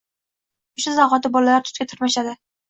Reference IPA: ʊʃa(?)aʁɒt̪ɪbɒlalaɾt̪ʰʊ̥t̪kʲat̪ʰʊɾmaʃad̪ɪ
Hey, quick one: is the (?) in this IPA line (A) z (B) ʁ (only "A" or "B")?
A